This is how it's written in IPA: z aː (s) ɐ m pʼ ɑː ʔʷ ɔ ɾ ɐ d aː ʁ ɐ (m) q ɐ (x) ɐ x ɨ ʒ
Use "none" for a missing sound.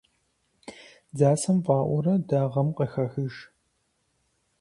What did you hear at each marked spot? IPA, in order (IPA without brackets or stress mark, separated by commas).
s, m, x